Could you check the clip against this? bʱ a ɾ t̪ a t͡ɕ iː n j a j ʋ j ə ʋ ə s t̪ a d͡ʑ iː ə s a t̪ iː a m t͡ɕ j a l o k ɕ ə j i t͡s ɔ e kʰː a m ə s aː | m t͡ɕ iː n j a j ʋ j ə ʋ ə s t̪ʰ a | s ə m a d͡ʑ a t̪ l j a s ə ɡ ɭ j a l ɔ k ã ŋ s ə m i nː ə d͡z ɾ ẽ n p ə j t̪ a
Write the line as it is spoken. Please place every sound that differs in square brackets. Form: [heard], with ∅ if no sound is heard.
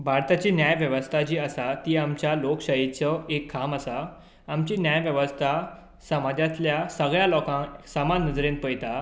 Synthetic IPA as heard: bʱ a ɾ t̪ a t͡ɕ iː n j a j ʋ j ə ʋ ə s [t̪ʰ] a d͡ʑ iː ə s a t̪ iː a m t͡ɕ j a l o k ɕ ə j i t͡s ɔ e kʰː a m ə s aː | m t͡ɕ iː n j a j ʋ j ə ʋ ə s t̪ʰ a | s ə m a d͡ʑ a t̪ l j a s ə ɡ ɭ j a l ɔ k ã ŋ s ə m [a] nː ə d͡z ɾ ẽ n p ə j t̪ a